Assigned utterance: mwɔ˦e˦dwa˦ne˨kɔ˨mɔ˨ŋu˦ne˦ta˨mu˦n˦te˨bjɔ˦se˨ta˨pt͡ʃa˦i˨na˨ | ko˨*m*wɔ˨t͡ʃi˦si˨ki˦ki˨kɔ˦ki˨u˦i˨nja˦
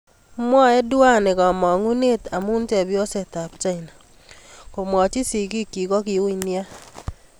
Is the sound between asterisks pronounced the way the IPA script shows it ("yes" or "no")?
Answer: yes